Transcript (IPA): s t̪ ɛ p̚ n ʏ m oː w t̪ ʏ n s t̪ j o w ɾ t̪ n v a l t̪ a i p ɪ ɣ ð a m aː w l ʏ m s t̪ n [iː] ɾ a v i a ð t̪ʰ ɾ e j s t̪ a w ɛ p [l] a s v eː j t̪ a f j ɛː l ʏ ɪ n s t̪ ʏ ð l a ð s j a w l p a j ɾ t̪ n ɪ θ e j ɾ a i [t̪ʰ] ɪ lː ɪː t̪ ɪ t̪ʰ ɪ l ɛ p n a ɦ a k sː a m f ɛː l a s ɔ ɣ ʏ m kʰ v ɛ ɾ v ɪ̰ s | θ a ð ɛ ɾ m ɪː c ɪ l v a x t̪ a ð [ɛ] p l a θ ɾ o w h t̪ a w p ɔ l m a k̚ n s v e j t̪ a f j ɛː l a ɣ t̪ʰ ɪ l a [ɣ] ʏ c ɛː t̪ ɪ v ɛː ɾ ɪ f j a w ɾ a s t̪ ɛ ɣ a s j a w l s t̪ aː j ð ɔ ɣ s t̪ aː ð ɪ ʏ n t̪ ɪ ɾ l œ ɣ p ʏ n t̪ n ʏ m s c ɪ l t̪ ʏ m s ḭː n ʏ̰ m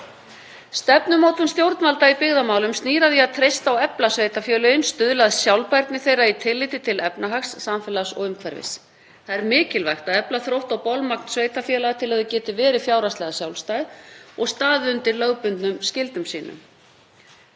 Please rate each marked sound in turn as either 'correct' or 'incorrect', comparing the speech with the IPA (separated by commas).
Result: correct, correct, correct, correct, incorrect